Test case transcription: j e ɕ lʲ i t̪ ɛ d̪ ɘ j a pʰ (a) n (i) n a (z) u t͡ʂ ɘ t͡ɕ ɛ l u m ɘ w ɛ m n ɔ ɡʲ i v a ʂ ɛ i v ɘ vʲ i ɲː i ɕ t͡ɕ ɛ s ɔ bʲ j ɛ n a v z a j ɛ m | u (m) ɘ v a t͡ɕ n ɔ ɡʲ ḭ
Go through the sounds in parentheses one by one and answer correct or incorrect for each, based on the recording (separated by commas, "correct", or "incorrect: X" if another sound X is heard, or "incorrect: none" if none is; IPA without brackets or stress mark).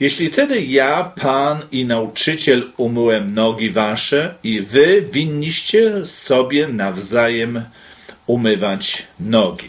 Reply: correct, correct, incorrect: none, correct